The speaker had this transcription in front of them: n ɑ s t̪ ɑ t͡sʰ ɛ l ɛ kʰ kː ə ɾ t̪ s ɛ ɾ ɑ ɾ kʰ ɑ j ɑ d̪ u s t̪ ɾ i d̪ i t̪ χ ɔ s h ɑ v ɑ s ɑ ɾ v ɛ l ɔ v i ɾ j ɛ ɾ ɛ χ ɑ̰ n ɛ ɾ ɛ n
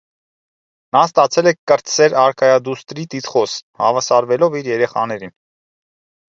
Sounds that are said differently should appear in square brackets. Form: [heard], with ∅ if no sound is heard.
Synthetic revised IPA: n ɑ s t̪ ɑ t͡sʰ ɛ l ɛ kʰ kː ə ɾ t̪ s ɛ ɾ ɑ ɾ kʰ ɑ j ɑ d̪ u s t̪ ɾ i [t̪] i t̪ χ ɔ s h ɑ v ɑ s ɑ ɾ v ɛ l ɔ v i ɾ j ɛ ɾ ɛ χ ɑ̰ n ɛ ɾ [i] n